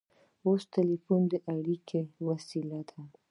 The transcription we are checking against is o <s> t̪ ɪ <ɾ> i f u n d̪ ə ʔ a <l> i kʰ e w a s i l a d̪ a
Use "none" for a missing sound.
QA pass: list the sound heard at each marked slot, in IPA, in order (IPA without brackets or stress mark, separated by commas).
s, l, ɽ